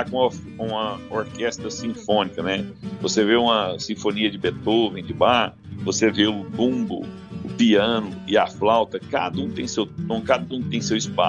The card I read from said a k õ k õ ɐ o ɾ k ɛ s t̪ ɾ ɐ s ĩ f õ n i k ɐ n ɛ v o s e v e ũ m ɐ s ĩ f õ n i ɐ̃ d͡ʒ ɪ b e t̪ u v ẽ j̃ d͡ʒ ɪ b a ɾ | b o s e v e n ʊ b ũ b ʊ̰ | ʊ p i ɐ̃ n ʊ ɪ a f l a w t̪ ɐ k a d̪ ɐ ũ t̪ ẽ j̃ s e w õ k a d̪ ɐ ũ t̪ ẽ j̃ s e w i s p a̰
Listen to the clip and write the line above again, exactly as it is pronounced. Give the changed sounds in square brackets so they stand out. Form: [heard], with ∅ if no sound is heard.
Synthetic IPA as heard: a k õ k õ ɐ o ɾ k ɛ s t̪ ɾ ɐ s ĩ f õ n i k ɐ n ɛ v o s e v e ũ m ɐ s ĩ f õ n i [ɐ] d͡ʒ ɪ b e t̪ [o] v ẽ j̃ d͡ʒ ɪ b a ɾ | [v] o s e v e [∅] ʊ b ũ b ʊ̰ | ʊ p i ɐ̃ n ʊ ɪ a f l a w t̪ ɐ k a d̪ ɐ ũ t̪ ẽ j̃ s e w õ k a d̪ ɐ ũ t̪ ẽ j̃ s e w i s p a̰